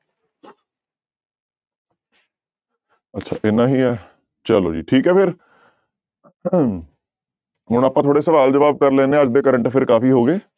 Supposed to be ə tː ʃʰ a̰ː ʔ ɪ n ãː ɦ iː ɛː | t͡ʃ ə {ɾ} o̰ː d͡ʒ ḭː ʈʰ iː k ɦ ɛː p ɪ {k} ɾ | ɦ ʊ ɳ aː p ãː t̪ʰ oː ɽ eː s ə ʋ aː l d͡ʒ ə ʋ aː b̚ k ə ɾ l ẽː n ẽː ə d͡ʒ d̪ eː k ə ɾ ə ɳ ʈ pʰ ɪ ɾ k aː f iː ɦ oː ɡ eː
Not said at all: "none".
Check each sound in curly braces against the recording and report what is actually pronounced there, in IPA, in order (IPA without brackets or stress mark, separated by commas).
l, none